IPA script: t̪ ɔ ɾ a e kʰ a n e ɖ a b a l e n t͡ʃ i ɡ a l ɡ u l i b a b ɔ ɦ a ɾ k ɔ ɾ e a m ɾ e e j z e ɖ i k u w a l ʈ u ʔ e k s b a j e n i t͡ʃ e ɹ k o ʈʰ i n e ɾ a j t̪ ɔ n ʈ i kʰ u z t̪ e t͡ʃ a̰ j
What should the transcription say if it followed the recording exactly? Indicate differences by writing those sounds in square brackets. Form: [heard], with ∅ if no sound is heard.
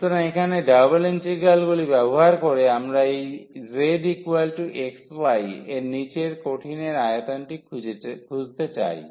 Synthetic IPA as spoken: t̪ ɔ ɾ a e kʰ a n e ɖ a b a l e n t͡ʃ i ɡ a l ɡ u l i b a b ɔ ɦ a ɾ k ɔ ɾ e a m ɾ [a] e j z e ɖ i k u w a l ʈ u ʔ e k s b a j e n i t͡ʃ e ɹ k o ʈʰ i n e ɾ a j t̪ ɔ n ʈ i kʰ u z t̪ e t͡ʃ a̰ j